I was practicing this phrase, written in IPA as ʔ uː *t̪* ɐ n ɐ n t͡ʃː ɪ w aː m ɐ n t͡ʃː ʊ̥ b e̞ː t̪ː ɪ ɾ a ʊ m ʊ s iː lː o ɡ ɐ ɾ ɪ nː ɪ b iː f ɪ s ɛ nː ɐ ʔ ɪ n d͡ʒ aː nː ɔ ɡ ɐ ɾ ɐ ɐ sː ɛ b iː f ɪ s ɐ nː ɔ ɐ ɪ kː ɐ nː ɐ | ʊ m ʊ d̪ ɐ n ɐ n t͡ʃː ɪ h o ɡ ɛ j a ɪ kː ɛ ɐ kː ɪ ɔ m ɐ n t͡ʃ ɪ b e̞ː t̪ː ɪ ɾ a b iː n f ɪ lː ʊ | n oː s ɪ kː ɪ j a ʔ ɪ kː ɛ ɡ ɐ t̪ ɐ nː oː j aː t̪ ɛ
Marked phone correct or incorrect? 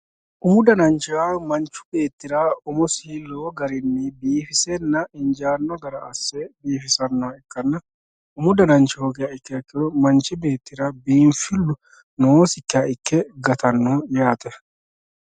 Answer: incorrect: d̪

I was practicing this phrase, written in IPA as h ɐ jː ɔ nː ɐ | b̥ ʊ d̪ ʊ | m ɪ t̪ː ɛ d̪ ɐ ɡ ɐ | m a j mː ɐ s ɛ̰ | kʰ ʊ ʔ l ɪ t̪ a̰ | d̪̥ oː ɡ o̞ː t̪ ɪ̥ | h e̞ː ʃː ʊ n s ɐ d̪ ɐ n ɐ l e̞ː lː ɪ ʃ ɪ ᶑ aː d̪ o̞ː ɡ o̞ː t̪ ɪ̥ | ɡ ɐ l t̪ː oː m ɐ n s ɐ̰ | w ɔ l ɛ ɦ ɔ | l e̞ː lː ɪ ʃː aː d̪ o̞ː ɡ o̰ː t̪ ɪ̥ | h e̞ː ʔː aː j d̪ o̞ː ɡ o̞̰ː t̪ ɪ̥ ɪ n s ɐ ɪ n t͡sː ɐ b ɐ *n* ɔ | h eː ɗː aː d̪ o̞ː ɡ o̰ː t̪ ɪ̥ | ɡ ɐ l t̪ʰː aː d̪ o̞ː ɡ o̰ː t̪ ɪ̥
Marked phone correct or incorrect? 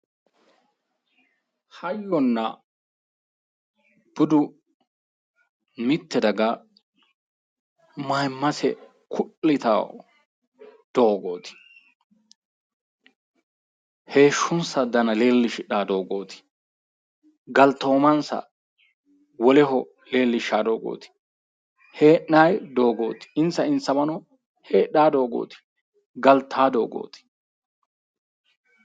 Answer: correct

